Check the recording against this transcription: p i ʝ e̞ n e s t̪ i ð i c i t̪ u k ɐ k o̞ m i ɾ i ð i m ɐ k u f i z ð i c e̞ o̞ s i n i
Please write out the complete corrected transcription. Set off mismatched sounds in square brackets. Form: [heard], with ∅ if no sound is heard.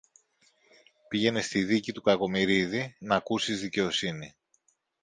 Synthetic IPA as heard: p i ʝ e̞ n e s t̪ i ð i c i t̪ u k ɐ k o̞ m i ɾ i ð i [n] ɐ k u [s] i z ð i c e̞ o̞ s i n i